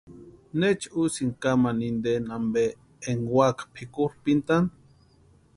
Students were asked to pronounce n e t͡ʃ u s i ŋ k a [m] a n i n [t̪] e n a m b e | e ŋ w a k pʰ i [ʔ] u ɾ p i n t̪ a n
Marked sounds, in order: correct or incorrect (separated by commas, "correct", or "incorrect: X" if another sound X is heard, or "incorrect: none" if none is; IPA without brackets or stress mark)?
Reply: correct, incorrect: d̪, incorrect: k